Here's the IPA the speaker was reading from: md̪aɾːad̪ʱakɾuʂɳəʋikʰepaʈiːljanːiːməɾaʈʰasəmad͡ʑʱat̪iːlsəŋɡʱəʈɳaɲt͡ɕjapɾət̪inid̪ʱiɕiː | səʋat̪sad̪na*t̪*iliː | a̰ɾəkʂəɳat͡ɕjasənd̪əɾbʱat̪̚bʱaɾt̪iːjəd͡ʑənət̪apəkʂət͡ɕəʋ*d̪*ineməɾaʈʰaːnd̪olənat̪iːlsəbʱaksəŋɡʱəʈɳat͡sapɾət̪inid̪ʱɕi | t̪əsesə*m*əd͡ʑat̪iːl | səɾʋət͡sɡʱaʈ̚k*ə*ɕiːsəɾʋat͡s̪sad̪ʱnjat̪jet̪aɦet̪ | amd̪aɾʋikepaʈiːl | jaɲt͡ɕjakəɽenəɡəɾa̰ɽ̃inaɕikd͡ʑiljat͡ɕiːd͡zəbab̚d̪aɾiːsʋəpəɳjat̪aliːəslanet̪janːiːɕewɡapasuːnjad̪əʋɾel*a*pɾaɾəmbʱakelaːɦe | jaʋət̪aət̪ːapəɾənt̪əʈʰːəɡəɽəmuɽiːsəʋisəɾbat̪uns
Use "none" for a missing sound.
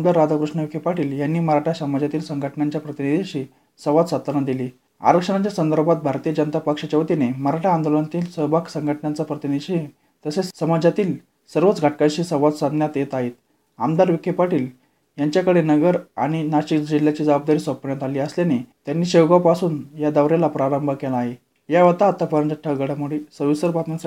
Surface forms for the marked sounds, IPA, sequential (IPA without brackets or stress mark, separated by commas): d̪, t̪, m, a, a